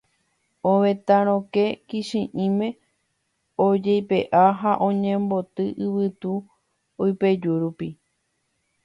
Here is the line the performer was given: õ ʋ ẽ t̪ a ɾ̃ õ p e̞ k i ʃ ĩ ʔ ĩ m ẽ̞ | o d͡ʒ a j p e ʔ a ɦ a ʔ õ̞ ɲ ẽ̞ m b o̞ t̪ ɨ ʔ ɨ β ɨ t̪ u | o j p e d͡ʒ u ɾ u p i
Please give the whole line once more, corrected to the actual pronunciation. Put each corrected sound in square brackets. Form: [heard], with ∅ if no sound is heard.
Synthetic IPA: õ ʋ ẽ t̪ a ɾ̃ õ [k] e̞ k i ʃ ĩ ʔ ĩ m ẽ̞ | o d͡ʒ [e] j p e ʔ a ɦ a ʔ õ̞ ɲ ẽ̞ m b o̞ t̪ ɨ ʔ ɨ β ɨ t̪ u | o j p e d͡ʒ u ɾ u p i